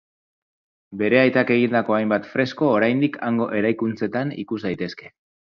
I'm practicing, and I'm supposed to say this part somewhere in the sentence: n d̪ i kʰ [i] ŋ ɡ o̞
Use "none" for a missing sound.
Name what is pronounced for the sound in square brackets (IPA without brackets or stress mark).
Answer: a